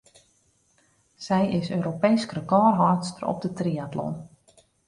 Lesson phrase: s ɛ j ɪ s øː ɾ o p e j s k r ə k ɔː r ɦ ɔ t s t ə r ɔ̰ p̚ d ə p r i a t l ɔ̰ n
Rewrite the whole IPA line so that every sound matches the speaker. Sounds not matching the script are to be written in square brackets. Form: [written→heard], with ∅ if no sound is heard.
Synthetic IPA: s ɛ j ɪ s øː ɾ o p e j s k r ə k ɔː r ɦ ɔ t s t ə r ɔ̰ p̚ d ə [p→t] r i a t l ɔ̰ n